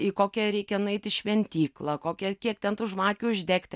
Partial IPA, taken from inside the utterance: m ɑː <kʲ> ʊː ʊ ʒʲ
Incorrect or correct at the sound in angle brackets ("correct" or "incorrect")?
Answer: correct